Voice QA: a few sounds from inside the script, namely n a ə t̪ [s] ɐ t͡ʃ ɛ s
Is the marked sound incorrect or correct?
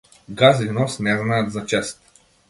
incorrect